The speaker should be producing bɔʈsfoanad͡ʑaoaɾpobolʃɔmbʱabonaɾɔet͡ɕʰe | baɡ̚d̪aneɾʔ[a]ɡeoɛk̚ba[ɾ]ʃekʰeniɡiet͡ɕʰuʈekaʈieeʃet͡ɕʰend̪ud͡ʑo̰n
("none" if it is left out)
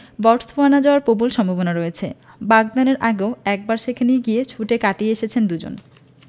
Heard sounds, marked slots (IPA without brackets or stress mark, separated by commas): a, ɾ